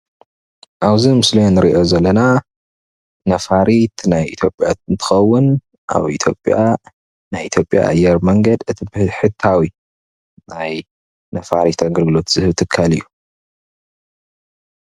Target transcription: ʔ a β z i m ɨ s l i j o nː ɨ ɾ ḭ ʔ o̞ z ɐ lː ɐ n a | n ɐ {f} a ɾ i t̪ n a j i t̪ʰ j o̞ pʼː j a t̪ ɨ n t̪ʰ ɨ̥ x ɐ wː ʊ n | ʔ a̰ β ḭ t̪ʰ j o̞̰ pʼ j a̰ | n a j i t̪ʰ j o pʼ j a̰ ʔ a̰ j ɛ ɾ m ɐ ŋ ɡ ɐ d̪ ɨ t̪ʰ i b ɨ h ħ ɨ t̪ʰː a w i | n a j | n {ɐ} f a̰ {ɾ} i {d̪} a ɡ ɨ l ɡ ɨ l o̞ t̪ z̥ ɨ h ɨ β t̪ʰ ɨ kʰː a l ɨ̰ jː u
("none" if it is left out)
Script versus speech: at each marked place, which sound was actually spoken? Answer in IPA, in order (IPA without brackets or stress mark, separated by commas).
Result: f, ɐ, ɾ, t̪